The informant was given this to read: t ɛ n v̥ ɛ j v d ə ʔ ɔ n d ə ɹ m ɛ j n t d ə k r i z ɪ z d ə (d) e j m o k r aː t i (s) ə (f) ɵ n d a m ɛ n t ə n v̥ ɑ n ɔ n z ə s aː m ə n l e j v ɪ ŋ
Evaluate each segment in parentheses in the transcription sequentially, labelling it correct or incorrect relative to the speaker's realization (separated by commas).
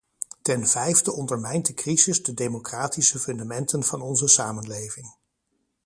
correct, correct, correct